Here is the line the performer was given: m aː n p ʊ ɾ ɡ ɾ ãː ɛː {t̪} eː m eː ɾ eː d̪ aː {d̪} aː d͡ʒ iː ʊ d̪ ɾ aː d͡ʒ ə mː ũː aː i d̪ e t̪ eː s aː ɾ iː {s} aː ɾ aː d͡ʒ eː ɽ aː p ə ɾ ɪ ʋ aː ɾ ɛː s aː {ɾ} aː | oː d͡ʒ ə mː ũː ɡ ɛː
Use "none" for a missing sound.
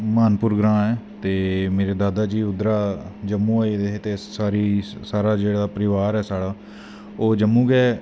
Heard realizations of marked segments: t̪, d̪, s, ɽ

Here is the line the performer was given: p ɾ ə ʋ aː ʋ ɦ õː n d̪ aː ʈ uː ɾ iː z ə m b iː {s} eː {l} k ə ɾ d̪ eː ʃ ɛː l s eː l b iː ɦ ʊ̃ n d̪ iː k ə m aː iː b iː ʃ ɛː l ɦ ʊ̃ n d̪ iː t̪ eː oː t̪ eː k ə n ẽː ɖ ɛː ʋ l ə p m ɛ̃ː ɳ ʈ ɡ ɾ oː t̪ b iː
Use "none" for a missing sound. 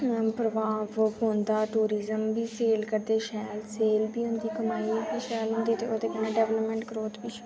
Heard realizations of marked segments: s, l

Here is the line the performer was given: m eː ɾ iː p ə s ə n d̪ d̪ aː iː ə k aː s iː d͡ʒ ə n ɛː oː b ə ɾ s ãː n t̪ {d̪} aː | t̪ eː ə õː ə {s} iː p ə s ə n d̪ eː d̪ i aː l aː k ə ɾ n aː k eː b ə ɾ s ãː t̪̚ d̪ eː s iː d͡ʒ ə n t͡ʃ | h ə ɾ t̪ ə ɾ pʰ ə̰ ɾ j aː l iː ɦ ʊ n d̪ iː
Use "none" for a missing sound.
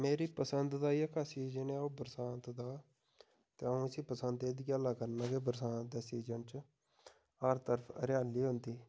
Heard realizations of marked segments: d̪, s

